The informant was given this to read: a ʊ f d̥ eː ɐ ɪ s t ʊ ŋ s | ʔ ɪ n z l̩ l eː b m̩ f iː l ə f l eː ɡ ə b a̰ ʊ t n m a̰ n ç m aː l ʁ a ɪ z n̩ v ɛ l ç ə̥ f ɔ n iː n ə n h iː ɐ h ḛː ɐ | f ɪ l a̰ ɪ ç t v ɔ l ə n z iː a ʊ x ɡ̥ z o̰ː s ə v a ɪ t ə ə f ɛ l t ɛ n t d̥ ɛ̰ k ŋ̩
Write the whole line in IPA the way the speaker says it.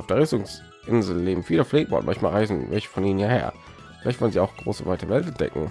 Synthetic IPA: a ʊ f d̥ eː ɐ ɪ s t ʊ ŋ s | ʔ ɪ n z l̩ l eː b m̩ f iː l ə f l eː ɡ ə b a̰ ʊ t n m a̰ n ç m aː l ʁ a ɪ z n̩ v ɛ l ç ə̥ f ɔ n iː n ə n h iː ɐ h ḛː ɐ | f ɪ l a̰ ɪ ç t v ɔ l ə n z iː a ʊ x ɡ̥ ʁ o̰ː s ə v a ɪ t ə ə v ɛ l t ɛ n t d̥ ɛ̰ k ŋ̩